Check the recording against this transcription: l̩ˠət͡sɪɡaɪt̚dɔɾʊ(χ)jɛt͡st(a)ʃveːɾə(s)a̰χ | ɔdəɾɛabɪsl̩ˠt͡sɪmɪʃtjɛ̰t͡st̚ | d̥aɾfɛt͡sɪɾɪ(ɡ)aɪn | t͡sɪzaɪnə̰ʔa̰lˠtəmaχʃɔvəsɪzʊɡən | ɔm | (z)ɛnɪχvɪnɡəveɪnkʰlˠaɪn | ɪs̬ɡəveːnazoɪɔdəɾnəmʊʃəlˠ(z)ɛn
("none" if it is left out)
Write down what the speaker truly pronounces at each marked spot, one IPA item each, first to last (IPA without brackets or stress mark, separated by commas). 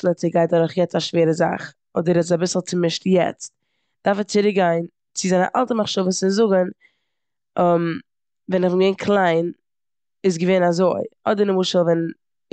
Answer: χ, a, z, ɡ, v, v